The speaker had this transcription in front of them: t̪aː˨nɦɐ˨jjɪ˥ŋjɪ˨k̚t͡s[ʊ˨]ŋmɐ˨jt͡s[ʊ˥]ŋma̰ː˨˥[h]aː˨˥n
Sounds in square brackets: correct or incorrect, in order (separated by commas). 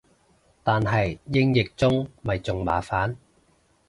incorrect, incorrect, incorrect